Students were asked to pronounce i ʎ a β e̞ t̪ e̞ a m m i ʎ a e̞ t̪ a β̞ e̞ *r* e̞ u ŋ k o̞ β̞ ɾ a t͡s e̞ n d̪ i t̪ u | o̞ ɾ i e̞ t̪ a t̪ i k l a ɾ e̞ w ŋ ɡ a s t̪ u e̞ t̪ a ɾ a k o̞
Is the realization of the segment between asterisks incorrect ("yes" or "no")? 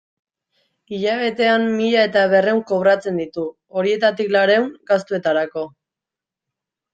no